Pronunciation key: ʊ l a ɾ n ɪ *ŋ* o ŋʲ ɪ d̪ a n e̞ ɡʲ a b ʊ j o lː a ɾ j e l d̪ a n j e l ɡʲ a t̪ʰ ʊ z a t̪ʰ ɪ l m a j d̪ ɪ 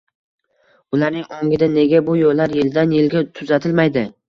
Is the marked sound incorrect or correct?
correct